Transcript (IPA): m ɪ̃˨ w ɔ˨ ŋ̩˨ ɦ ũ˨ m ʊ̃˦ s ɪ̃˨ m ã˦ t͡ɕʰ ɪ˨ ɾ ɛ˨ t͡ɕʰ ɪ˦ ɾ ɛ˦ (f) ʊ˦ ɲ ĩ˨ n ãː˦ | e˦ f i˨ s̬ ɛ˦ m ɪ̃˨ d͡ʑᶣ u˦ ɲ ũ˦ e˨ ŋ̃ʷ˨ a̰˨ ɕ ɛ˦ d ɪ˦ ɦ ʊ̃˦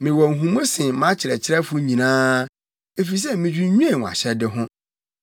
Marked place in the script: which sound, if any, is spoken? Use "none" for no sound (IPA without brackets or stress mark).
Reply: f